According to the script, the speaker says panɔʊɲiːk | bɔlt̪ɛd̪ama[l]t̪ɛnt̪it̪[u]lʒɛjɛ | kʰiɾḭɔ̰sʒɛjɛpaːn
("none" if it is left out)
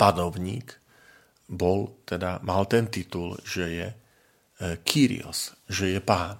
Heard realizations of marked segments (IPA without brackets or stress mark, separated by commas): l, u